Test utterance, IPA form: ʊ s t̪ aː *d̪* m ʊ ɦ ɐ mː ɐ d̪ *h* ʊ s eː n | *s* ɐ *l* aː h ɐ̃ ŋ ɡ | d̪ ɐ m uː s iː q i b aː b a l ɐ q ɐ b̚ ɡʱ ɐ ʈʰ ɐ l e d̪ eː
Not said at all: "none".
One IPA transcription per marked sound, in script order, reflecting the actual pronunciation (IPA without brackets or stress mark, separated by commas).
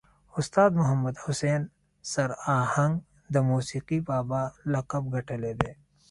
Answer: d̪, h, s, ɾ